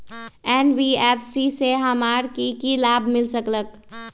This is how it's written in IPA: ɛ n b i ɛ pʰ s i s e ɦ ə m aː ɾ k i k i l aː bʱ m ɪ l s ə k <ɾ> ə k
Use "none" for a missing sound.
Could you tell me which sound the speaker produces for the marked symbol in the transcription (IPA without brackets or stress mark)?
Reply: l